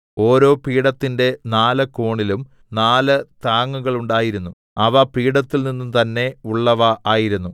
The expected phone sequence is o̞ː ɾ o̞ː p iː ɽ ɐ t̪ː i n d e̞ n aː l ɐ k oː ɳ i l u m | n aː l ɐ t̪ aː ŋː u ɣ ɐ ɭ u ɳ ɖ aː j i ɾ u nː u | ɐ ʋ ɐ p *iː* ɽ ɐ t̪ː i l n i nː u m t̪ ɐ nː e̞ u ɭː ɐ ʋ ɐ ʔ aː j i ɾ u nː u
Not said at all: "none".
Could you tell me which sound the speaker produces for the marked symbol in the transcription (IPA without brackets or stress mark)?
iː